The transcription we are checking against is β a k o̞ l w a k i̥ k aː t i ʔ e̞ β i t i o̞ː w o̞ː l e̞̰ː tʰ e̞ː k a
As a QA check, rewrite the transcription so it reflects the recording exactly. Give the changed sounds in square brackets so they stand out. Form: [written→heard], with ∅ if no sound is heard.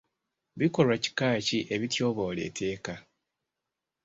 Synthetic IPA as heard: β [a→i] k o̞ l w a [k→c] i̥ k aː [t→c] i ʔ e̞ β i t [i→j] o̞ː [w→β] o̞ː l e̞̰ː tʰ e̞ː k a